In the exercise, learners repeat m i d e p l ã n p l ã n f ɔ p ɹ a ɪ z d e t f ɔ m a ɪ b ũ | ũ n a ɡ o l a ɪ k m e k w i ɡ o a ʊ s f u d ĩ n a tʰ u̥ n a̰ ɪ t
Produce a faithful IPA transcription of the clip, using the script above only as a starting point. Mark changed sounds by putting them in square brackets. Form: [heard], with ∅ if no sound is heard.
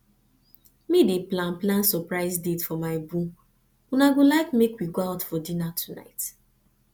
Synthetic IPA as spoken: m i d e p l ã n p l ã n [s] ɔ p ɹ a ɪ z d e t f ɔ m a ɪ b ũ | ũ n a ɡ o l a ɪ k m e k w i ɡ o a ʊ [t] f [ɔ] d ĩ n a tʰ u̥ n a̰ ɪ t